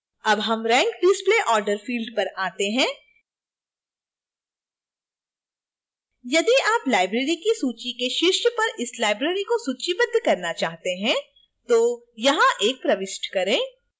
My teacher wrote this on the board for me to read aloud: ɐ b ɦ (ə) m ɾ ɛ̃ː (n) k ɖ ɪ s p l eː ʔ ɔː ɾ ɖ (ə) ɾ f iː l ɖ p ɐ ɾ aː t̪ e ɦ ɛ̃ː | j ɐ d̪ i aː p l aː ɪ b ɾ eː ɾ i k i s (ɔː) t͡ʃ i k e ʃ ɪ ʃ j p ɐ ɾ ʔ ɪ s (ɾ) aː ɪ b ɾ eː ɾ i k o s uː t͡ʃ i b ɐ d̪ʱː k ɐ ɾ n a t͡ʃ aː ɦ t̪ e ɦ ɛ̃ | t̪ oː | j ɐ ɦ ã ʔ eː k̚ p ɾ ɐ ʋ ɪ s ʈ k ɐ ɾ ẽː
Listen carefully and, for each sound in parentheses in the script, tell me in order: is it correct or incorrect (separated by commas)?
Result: incorrect, incorrect, correct, incorrect, incorrect